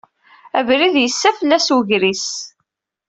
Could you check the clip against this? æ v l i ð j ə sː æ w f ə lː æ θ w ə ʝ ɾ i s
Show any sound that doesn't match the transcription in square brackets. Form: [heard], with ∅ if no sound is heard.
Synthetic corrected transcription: æ v [ɾ] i ð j ə sː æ [∅] f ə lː æ [s] w ə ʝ ɾ i s